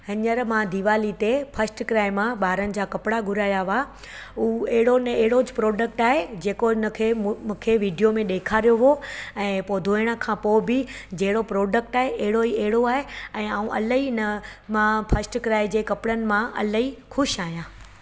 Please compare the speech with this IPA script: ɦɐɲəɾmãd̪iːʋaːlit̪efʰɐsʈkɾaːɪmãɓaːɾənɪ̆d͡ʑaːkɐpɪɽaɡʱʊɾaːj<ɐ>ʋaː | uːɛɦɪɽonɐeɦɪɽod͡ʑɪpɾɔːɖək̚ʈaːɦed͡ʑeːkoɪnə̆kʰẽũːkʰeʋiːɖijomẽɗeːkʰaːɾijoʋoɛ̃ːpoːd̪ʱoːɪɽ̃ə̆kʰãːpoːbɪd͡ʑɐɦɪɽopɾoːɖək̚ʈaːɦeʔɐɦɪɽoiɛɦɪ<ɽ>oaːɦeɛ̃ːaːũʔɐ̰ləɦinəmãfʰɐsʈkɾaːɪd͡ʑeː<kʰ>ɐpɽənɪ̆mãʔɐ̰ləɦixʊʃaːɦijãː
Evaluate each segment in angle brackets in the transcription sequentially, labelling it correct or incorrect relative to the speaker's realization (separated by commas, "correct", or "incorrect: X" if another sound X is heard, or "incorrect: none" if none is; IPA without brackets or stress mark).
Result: incorrect: a, correct, incorrect: k